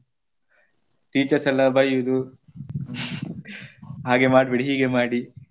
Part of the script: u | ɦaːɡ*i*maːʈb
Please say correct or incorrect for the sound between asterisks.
incorrect